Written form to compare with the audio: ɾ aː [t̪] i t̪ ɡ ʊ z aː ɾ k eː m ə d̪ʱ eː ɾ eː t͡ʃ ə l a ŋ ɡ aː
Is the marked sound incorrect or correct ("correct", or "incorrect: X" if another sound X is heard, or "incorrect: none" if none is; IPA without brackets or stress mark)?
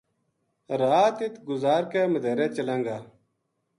correct